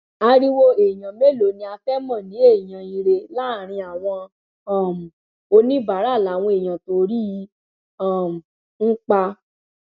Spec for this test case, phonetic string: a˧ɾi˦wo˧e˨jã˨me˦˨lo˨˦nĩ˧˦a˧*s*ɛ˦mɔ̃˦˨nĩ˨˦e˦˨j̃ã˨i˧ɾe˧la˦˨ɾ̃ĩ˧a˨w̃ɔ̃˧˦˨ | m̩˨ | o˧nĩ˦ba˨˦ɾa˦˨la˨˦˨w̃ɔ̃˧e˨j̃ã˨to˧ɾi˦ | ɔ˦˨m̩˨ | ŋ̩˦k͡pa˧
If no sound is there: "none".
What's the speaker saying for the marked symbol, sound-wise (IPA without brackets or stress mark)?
f